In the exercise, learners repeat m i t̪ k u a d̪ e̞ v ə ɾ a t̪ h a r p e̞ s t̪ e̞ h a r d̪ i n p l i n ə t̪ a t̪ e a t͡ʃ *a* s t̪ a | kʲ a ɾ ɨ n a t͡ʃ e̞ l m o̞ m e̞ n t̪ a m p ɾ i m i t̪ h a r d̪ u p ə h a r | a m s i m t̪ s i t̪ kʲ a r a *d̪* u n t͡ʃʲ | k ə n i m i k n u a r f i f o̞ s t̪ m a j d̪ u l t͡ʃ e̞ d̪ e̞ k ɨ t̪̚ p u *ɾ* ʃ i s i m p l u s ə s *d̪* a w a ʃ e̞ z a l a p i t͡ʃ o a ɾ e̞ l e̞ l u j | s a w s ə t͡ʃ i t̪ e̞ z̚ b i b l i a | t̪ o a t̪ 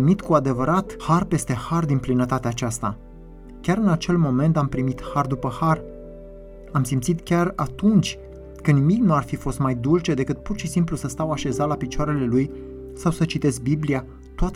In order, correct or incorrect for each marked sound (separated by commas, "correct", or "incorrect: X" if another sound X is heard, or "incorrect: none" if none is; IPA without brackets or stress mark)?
correct, incorrect: t̪, incorrect: r, incorrect: t̪